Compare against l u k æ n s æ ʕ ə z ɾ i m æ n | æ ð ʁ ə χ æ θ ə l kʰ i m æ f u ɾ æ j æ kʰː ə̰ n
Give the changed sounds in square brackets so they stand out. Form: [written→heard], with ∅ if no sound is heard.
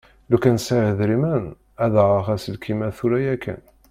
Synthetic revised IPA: l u k æ n s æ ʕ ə [z→ð] ɾ i m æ n | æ ð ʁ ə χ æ [θ→s] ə l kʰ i m æ [f→θ] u ɾ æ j æ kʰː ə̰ n